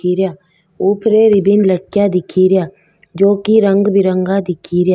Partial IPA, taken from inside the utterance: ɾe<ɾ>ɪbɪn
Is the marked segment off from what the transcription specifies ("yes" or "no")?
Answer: no